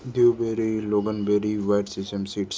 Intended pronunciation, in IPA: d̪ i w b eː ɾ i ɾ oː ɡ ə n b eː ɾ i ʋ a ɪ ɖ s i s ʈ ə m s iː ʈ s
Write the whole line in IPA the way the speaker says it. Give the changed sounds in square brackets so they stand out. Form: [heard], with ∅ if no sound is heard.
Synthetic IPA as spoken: d̪ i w b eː ɾ i [l] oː ɡ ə n b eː ɾ i ʋ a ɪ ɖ s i s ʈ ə m s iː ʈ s